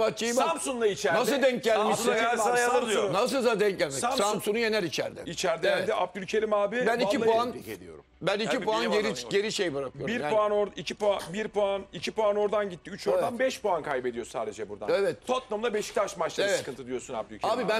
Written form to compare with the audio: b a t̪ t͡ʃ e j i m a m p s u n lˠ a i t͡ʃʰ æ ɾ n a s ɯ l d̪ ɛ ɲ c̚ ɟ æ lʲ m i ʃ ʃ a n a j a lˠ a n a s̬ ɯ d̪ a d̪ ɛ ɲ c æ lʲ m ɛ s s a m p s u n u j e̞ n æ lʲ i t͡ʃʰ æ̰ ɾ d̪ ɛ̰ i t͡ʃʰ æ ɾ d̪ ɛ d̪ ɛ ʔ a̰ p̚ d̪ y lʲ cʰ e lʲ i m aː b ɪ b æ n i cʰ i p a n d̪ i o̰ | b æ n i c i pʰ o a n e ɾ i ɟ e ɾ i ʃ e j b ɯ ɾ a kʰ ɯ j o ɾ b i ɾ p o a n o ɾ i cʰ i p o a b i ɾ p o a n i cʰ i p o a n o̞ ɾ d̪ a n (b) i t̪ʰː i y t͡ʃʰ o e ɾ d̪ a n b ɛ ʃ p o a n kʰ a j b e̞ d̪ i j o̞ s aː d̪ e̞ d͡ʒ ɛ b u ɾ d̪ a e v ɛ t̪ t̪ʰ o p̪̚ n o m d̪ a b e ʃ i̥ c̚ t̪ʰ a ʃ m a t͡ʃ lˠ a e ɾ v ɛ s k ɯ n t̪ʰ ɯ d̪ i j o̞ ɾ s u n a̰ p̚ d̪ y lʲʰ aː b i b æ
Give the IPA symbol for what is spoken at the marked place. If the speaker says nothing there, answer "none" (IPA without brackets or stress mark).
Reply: ɟ